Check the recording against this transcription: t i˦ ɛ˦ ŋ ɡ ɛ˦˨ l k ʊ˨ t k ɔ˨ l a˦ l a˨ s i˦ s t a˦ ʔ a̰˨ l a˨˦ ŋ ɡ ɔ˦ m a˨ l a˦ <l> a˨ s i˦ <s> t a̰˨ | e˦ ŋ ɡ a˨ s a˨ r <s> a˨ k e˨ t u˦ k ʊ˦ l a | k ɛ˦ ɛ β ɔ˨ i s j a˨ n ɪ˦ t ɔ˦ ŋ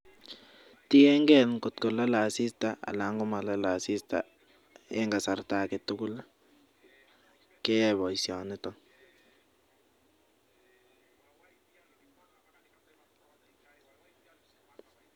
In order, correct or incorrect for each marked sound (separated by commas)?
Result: correct, correct, incorrect